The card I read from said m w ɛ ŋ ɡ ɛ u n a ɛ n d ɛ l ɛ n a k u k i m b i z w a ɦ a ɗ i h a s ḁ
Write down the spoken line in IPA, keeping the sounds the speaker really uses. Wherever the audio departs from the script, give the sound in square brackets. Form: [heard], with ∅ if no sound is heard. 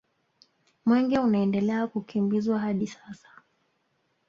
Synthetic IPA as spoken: m w ɛ ŋ ɡ ɛ u n a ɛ n d ɛ l ɛ [∅] a k u k i m b i z w a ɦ a ɗ i [s] a s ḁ